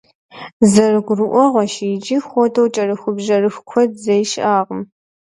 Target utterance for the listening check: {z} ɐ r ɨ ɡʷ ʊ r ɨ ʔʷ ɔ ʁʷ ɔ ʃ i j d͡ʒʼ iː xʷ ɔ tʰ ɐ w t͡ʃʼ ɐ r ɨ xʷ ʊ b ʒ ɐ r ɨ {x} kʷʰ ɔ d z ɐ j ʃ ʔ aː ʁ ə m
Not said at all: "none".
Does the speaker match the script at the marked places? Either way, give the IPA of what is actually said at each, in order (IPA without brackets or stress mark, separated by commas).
z, x